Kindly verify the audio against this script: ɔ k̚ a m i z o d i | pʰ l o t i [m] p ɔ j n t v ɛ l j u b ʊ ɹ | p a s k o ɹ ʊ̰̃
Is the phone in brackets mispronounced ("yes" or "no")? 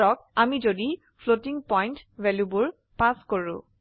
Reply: yes